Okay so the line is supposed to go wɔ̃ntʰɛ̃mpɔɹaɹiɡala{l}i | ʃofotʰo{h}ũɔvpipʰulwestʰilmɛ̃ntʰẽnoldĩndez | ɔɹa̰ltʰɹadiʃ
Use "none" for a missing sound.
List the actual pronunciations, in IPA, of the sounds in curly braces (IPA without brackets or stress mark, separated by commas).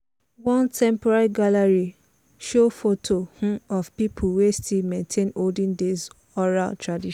ɹ, h